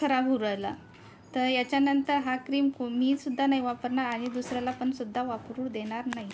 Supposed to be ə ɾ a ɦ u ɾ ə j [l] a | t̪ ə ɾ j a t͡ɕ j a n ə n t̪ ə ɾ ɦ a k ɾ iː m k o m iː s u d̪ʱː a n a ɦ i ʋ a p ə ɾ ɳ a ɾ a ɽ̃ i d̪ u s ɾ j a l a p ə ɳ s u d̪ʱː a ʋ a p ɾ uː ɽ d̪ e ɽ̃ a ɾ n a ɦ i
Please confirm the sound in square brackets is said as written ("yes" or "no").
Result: yes